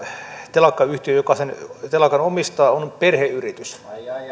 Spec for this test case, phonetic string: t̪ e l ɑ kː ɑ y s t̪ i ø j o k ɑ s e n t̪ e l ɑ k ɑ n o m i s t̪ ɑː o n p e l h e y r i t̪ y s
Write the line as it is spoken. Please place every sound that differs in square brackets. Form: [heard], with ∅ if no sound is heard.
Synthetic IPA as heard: t̪ e l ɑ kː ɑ y [h] t̪ i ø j o k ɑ s e n t̪ e l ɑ k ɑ n o m i s t̪ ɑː o n p e [r] h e y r i t̪ y s